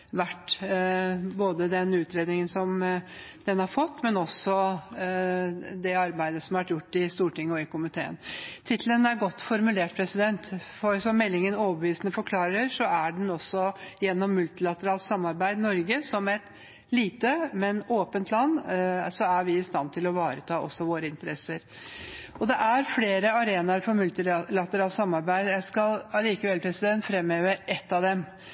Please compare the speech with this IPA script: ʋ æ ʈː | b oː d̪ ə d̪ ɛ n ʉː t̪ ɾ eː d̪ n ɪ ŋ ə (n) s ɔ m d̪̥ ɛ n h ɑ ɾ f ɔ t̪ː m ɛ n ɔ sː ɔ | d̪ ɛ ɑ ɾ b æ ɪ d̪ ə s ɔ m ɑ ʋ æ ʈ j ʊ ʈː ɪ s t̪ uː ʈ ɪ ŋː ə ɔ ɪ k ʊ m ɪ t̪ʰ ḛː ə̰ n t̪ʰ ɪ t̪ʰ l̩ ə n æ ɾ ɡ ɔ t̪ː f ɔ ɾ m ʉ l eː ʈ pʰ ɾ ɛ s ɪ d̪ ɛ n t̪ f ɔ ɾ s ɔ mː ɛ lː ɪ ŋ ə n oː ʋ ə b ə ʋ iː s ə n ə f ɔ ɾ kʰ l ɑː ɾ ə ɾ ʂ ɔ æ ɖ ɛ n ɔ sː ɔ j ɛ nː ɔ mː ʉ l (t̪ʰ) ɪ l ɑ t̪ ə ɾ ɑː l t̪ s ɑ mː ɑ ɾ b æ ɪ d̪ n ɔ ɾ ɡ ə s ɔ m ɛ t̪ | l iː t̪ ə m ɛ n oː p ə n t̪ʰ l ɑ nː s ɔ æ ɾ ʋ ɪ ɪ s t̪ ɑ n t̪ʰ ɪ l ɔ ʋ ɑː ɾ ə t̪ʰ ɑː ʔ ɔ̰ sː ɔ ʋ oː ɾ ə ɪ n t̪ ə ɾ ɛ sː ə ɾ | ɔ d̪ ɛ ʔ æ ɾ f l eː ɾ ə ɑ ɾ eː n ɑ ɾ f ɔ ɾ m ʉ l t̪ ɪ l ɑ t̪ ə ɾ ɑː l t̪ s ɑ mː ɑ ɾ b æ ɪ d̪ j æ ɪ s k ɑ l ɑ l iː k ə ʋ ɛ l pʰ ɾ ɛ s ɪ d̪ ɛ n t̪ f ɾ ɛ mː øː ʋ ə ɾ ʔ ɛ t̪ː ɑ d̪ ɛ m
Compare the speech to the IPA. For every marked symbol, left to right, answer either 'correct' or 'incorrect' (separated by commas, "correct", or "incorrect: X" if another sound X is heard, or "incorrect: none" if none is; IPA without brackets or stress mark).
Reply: correct, incorrect: t̪